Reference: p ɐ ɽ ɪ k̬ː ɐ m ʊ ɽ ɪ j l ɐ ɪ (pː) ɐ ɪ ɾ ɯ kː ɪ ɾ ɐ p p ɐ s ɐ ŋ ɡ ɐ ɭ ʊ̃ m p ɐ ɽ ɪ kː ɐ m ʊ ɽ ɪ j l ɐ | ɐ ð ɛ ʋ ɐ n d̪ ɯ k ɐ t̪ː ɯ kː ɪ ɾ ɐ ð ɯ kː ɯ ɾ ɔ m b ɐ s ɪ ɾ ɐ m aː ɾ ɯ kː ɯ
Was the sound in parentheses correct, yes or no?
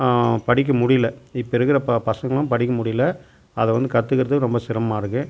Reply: yes